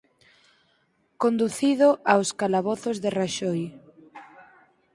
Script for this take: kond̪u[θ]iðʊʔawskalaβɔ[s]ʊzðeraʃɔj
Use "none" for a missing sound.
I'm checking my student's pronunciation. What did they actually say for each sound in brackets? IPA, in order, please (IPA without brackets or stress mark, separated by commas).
θ, θ